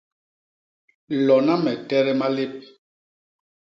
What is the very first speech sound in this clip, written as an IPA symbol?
l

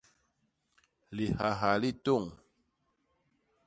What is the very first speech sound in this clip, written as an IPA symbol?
l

